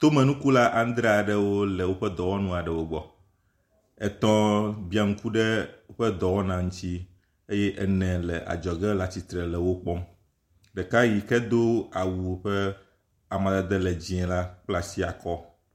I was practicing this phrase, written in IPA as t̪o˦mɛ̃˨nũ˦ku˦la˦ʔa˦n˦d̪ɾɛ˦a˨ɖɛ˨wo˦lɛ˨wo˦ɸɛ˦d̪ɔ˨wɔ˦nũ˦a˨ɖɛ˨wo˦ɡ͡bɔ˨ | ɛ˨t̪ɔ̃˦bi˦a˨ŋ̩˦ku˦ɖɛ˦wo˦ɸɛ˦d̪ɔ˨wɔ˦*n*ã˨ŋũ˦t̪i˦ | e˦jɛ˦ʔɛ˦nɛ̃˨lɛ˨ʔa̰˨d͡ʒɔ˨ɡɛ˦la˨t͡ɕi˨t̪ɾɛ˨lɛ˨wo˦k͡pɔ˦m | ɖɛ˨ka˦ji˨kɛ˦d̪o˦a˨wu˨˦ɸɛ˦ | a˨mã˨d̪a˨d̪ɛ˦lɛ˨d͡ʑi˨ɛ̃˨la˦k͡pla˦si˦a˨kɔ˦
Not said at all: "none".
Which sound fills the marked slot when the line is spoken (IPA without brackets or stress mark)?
n